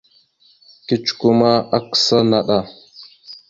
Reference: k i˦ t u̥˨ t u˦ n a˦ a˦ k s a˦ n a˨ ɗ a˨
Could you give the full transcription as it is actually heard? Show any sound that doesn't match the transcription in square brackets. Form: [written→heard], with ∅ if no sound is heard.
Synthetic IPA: k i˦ [t→t͡ʃ] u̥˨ [t→k] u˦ [n→m] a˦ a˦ k s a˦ n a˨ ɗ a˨